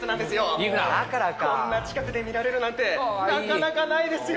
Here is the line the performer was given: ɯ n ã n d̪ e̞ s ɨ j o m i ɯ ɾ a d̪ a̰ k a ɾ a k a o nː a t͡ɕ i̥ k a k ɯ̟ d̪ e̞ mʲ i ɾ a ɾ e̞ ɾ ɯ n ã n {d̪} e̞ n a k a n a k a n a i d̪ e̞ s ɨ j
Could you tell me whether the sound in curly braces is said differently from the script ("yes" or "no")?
yes